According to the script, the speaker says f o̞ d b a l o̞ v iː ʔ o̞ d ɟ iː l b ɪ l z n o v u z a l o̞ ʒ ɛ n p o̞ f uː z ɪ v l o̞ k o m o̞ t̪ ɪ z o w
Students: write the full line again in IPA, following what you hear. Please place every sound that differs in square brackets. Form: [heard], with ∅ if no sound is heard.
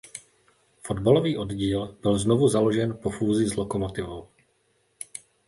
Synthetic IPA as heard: f o̞ d b a l o̞ v iː ʔ o̞ d ɟ iː l b ɪ l z n o v u z a l o̞ ʒ ɛ n p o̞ f uː z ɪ [z] l o̞ k o m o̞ t̪ ɪ [v] o w